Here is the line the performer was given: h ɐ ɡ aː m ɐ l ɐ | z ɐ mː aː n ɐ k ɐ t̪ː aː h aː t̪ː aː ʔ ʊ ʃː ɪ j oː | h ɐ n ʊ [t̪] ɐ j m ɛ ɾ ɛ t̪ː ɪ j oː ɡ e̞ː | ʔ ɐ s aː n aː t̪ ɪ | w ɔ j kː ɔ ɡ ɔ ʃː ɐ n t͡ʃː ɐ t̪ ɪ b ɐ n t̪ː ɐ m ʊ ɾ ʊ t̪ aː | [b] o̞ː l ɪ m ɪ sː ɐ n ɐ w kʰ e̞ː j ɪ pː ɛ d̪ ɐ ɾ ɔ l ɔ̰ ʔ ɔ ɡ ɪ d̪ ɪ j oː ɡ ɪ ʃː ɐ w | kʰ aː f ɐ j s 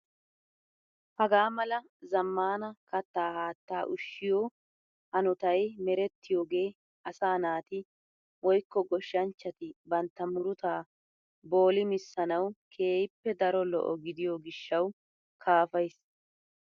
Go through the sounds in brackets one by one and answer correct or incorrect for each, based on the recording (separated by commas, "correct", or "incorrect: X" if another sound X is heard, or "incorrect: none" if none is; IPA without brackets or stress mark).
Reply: correct, correct